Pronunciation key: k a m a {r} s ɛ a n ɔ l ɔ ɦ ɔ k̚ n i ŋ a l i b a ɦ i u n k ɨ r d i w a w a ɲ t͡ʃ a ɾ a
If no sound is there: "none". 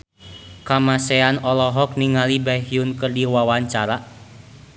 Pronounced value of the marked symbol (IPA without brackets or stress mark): none